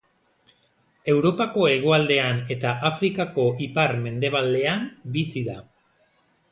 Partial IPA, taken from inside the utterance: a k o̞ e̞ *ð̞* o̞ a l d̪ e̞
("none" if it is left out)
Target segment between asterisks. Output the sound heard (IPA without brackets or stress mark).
ɣ̞